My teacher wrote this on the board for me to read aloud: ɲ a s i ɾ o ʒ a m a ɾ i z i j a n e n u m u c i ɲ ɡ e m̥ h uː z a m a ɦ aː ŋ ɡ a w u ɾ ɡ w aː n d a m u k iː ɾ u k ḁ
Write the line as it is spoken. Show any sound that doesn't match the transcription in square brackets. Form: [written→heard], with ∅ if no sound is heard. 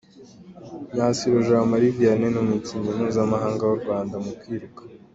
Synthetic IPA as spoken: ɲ a s i ɾ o ʒ a m a ɾ i [z→v] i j a n e n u m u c i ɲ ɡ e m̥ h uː z a m a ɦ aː ŋ ɡ a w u ɾ ɡ w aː n d a m u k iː ɾ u k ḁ